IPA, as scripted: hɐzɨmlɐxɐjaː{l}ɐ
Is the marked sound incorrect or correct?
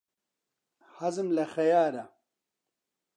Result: incorrect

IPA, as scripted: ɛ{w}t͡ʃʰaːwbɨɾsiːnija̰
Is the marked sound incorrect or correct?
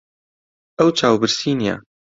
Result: correct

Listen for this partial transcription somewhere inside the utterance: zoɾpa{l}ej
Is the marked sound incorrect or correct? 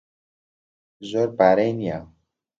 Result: incorrect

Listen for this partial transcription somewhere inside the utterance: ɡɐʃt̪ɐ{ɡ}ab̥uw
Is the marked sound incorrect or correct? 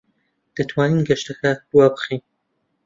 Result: incorrect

